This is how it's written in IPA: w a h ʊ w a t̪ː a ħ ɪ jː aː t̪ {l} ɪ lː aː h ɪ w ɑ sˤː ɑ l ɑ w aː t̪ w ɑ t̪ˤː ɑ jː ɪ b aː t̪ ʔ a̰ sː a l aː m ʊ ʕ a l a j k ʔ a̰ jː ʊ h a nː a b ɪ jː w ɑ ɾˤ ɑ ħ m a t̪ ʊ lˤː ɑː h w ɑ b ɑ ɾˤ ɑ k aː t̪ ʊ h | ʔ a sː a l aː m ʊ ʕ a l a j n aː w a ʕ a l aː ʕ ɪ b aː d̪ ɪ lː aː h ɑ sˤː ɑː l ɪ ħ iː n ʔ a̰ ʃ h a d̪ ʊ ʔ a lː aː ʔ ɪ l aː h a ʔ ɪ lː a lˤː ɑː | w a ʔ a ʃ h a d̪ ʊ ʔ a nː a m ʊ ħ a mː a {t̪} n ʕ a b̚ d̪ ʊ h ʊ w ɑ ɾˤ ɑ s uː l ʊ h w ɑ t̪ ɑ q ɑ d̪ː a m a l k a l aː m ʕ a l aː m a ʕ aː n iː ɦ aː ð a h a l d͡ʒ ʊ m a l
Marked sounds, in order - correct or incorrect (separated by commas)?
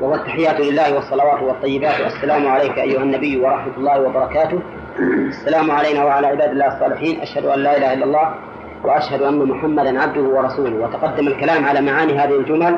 correct, incorrect